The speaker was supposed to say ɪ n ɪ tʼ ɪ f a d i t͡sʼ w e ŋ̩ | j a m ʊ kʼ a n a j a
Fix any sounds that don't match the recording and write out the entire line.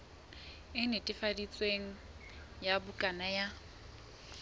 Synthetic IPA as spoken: ɪ n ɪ tʼ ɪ f a d i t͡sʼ w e ŋ̩ | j a b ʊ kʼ a n a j a